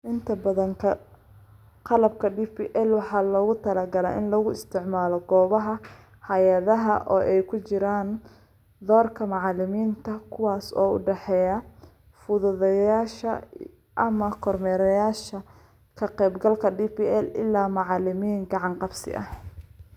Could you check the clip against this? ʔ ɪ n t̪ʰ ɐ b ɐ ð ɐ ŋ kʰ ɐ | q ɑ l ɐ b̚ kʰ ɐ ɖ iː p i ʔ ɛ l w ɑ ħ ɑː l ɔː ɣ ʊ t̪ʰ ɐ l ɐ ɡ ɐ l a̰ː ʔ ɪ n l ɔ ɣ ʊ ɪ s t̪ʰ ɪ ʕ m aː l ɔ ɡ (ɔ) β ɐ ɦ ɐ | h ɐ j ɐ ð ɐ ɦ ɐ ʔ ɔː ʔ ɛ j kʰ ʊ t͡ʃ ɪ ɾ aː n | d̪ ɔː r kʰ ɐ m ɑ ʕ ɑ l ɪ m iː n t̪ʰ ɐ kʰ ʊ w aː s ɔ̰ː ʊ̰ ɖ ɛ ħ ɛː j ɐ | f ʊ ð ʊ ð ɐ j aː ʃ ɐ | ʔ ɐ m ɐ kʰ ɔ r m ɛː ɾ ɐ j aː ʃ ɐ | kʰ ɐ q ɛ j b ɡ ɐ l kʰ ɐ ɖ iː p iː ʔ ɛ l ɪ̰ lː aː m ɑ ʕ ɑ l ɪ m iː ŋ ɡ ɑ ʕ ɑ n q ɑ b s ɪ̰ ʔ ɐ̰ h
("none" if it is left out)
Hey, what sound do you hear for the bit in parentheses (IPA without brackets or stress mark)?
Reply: ɔː